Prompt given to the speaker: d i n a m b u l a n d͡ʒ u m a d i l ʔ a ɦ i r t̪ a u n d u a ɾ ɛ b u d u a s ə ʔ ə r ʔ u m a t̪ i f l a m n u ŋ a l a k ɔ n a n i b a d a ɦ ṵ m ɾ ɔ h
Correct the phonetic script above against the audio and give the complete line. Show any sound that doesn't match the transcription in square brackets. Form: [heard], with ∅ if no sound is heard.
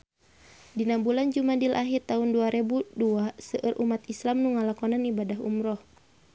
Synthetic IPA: d i n a m b u l a n d͡ʒ u m a d i l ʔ a ɦ i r t̪ a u n d u a ɾ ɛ b u d u a s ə ʔ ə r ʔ u m a t̪ i [s] l a m n u ŋ a l a k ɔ n a n i b a d a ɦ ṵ m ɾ ɔ h